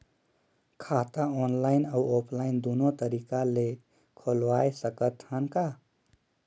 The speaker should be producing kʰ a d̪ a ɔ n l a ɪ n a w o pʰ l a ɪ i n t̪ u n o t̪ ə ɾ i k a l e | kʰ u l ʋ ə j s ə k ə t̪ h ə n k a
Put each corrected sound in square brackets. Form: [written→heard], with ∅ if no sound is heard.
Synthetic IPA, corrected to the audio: kʰ a [d̪→t̪] a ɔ n l a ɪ n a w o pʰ l a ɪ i n [t̪→d̪] u n o t̪ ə ɾ i k a l e | kʰ [u→o] l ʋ [ə→a] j s ə k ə t̪ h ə n k a